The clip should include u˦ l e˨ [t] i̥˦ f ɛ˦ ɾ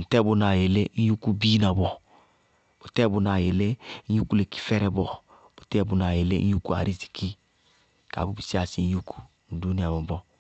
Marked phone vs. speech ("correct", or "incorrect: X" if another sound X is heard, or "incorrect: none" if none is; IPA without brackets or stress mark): incorrect: k